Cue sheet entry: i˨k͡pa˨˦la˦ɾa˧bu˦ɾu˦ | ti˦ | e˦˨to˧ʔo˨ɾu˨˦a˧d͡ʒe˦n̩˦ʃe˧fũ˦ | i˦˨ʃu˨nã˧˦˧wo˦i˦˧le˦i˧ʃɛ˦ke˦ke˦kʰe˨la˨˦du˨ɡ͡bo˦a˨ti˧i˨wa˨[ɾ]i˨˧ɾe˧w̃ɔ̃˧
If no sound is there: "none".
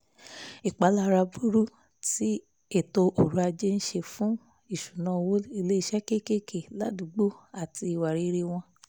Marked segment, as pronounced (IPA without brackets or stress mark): ɾ